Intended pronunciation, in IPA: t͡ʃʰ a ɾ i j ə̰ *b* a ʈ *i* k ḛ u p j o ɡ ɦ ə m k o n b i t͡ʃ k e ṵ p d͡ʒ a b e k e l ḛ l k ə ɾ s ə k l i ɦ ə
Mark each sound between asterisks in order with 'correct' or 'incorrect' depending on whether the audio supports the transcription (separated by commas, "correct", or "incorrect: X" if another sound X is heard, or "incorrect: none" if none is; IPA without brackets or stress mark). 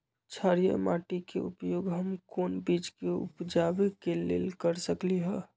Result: incorrect: m, correct